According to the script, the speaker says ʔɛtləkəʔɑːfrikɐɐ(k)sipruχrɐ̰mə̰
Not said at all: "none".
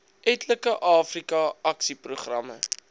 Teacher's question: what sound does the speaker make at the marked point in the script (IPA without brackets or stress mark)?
k